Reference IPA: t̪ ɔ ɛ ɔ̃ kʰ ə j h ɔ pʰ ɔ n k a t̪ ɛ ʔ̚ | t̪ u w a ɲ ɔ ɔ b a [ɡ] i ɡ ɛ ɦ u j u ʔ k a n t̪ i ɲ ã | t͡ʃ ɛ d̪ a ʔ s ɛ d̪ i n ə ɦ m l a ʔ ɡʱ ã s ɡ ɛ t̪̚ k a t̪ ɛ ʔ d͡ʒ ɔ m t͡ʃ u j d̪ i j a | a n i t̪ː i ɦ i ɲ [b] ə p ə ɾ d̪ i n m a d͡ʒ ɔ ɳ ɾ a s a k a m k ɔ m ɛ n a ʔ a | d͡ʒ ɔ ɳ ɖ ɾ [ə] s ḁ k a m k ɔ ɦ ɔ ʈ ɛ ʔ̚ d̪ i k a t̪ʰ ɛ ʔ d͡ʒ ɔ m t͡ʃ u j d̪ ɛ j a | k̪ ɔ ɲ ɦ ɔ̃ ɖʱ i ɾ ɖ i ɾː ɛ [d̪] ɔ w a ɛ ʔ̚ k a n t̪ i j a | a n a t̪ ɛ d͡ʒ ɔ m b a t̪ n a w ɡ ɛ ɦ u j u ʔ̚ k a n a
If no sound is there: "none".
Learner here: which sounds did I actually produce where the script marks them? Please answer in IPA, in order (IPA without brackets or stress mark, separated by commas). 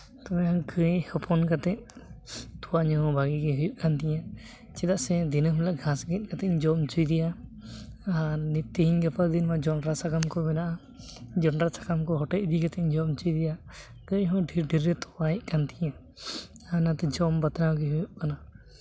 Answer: ɡ, ɡ, a, t̪